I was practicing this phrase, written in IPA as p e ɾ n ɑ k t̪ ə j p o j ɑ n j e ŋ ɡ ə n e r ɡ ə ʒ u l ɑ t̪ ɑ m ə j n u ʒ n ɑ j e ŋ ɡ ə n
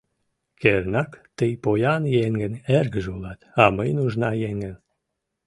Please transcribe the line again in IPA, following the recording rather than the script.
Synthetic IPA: k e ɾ n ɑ k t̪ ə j p o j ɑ n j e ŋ ɡ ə n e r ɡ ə ʒ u l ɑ t̪ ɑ m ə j n u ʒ n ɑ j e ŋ ɡ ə n